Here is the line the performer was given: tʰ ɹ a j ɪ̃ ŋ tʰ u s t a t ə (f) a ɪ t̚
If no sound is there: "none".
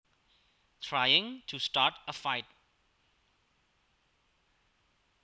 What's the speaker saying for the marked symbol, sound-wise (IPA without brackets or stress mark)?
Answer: f